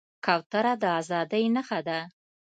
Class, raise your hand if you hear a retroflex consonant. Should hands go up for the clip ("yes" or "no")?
no